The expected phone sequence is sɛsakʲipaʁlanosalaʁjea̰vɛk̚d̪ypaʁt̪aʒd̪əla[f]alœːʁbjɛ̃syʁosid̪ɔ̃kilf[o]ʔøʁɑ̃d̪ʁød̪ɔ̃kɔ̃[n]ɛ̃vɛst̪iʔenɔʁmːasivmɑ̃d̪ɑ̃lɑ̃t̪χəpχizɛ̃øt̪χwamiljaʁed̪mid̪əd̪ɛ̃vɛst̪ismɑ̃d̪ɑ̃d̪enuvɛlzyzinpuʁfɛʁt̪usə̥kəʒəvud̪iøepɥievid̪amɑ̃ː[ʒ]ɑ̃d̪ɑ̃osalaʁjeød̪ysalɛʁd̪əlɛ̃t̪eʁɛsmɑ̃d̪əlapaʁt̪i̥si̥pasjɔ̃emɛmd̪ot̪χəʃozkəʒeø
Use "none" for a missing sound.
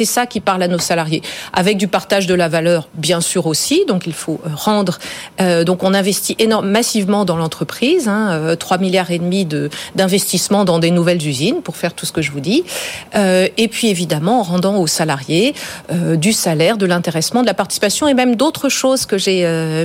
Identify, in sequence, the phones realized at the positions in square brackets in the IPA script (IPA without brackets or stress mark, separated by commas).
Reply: v, o, n, ʁ